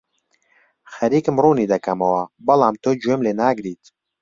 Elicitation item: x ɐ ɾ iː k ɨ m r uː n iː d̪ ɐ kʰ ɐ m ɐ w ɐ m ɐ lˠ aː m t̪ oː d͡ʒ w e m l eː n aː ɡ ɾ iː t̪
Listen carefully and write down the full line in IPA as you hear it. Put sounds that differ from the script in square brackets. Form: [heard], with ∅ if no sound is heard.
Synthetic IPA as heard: x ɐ ɾ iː k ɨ m r uː n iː d̪ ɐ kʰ ɐ m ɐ w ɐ [b] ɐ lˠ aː m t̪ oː d͡ʒ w e m l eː n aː ɡ ɾ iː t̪